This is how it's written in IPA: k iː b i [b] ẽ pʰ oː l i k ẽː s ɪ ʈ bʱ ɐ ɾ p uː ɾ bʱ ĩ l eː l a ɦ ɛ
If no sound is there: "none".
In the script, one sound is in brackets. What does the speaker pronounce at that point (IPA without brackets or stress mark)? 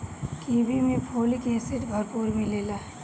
m